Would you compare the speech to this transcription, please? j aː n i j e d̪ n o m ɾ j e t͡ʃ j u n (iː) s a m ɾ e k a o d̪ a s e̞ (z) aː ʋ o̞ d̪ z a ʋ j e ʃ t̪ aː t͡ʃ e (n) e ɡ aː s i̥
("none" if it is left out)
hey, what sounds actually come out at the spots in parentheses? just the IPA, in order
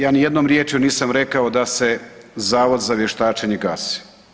iː, z, ɲ

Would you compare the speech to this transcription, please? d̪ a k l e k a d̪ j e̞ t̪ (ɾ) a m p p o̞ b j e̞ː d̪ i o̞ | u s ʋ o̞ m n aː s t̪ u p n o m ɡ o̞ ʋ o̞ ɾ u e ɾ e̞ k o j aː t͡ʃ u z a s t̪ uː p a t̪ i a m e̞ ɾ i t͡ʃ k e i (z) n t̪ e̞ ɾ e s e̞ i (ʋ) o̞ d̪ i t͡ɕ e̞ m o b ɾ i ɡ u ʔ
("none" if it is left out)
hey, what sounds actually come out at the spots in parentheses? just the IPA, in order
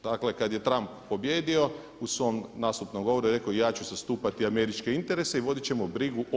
ɾ, none, ʋ

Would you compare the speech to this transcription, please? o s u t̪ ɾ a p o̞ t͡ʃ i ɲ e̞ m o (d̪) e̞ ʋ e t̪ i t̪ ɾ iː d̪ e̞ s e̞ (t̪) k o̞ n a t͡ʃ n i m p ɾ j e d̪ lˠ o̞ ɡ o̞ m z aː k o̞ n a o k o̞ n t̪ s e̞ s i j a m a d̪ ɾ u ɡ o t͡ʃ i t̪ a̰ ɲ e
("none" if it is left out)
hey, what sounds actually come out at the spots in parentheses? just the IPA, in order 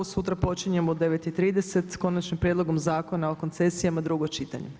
d̪, t̪

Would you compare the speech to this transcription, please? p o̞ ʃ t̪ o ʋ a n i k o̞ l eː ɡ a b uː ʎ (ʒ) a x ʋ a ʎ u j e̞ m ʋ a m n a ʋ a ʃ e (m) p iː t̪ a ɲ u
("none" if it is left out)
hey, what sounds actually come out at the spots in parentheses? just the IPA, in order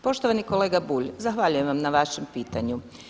z, m

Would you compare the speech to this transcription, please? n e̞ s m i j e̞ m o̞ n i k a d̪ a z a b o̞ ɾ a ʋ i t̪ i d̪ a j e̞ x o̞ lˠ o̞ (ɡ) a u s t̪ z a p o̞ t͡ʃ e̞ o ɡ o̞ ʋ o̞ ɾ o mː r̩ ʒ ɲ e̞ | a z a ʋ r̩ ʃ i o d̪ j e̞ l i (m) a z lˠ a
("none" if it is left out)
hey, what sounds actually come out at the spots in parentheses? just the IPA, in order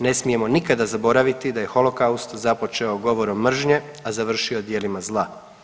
k, m

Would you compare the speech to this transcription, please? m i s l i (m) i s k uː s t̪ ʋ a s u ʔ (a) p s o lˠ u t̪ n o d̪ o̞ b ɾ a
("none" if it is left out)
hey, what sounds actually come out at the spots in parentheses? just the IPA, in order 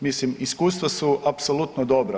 m, a

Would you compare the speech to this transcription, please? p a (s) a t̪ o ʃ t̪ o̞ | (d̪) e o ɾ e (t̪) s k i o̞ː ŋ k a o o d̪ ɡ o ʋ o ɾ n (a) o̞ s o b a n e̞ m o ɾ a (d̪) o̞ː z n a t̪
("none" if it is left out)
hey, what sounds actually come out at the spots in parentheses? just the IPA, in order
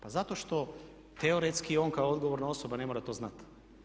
z, t̪, t̪, a, t̪

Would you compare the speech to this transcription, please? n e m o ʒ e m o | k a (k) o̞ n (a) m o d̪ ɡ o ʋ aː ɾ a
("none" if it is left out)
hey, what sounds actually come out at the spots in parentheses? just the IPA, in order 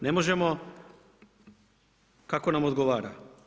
k, a

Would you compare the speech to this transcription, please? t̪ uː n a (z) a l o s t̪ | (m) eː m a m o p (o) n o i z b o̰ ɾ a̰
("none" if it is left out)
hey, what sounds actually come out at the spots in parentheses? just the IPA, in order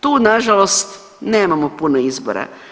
ʒ, n, u

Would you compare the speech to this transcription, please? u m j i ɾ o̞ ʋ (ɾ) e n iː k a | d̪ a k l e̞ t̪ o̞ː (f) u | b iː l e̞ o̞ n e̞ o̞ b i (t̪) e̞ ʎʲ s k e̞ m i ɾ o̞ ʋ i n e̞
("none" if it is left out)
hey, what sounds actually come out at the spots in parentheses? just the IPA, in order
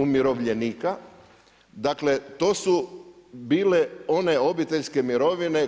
ʎ, s, t̪

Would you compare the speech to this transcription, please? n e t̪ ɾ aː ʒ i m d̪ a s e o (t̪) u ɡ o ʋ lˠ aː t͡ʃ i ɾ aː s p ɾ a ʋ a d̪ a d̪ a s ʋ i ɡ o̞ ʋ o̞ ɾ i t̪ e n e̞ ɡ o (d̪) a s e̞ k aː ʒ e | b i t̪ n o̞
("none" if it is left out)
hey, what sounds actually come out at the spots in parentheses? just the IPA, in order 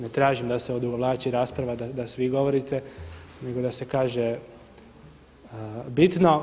d̪, d̪

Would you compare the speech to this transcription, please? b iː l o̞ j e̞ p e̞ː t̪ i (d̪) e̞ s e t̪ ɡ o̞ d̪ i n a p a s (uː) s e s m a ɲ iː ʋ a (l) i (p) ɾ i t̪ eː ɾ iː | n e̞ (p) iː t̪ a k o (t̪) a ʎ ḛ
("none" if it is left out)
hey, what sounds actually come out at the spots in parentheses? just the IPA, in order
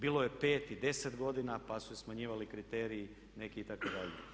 d̪, u, l, k, k, d̪

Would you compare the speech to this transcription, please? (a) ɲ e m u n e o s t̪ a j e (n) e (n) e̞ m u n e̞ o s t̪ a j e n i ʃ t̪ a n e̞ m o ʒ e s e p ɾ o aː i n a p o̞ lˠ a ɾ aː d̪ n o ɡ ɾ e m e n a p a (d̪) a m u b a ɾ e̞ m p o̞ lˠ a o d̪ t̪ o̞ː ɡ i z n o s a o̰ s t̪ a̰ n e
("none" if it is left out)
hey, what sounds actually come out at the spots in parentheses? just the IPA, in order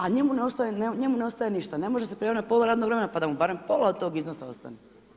a, n, ɲ, d̪

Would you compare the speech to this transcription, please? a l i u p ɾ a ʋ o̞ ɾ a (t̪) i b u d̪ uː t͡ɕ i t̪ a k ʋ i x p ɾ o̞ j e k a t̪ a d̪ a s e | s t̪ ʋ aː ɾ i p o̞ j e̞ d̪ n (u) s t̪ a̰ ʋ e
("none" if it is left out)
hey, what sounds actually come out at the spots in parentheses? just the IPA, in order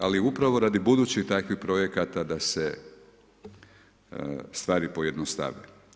d̪, o

